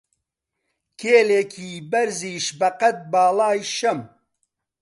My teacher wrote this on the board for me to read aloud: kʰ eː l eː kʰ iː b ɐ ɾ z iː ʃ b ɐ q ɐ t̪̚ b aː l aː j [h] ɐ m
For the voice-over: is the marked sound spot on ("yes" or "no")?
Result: no